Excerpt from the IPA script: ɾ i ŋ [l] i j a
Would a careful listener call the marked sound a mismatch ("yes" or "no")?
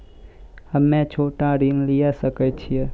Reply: no